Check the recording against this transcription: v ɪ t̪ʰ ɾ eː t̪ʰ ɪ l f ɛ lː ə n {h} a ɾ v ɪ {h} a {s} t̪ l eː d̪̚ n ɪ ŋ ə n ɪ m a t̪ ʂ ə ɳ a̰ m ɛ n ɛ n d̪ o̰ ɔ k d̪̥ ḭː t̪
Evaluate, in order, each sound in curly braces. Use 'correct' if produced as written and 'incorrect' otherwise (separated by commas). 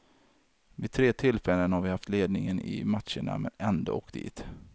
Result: correct, correct, incorrect